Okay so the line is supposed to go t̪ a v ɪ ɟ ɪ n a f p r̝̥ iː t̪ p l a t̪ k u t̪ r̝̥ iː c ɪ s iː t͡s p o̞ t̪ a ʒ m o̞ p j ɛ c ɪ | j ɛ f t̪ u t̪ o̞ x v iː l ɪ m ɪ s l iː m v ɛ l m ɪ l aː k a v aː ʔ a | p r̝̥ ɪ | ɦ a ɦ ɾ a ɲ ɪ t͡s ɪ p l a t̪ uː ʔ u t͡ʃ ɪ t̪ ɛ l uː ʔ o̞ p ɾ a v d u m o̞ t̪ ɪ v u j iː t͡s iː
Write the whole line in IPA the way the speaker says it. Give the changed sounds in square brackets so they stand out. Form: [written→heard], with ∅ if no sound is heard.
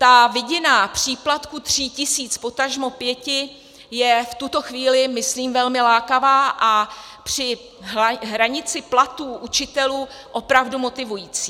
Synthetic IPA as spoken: t̪ a v ɪ ɟ ɪ n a [f→∅] p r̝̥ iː [t̪→∅] p l a t̪ k u t̪ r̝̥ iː c ɪ s iː t͡s p o̞ t̪ a ʒ m o̞ p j ɛ c ɪ | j ɛ f t̪ u t̪ o̞ x v iː l ɪ m ɪ s l iː m v ɛ l m ɪ l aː k a v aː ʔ a | p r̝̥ ɪ | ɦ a ɦ ɾ a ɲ ɪ t͡s ɪ p l a t̪ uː ʔ u t͡ʃ ɪ t̪ ɛ l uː ʔ o̞ p ɾ a v d u m o̞ t̪ ɪ v u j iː t͡s iː